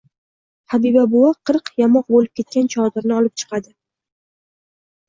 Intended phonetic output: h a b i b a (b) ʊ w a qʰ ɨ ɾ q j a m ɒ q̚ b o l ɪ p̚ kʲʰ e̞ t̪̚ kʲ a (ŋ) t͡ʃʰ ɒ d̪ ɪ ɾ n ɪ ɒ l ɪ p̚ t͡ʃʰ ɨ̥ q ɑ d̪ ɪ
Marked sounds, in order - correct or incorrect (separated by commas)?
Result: correct, incorrect